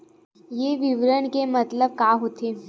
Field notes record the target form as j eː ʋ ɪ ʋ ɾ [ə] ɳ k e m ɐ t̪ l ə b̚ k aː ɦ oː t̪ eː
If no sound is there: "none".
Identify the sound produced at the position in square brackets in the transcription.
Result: ə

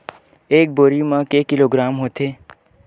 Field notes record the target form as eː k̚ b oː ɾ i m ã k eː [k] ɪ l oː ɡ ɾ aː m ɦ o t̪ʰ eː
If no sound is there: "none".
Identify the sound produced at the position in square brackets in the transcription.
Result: k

